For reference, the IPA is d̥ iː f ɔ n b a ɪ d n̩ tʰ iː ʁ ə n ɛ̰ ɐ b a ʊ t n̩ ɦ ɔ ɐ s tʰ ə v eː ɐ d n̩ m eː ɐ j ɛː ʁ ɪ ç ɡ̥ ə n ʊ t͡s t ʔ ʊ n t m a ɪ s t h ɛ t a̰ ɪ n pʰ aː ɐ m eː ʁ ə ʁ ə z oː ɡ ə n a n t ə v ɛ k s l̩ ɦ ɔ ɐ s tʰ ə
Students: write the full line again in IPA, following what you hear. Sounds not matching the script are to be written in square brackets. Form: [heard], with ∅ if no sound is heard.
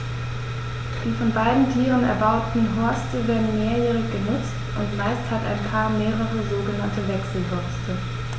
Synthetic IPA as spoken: d̥ iː f ɔ n b a ɪ d n̩ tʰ iː ʁ ə n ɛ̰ ɐ b a ʊ t n̩ ɦ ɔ ɐ s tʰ ə v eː ɐ d n̩ m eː ɐ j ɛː ʁ ɪ ç ɡ̥ ə n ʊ t͡s t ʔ ʊ n t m a ɪ s t h [a] t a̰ ɪ n pʰ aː ɐ m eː ʁ ə ʁ ə z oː ɡ ə n a n t ə v ɛ k s l̩ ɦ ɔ ɐ s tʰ ə